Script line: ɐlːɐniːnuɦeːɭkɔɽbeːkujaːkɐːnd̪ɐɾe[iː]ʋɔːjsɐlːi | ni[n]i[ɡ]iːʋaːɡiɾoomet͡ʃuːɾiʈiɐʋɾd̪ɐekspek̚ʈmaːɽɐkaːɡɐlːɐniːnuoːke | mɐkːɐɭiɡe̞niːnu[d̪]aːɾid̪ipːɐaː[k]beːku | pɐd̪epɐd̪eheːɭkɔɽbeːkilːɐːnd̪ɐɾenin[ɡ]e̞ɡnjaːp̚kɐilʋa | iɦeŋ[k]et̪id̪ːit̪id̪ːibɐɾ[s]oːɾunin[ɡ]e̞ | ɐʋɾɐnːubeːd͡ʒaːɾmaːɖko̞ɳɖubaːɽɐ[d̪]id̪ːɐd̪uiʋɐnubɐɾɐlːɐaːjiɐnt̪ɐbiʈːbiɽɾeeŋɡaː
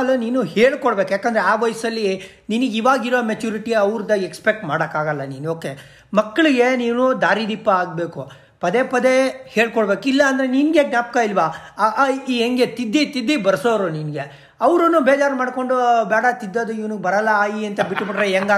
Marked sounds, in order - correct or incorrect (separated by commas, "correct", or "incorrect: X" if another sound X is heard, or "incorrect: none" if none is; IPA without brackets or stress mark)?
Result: incorrect: aː, correct, correct, correct, incorrect: ɡ, correct, incorrect: ɡ, correct, correct, incorrect: t̪